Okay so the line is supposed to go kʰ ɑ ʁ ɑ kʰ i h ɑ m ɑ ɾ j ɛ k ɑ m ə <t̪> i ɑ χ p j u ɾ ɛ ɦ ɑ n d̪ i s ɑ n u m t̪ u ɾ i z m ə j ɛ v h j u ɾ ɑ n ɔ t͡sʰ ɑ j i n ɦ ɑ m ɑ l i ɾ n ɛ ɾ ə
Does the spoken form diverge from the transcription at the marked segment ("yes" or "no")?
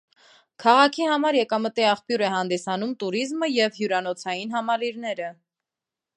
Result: no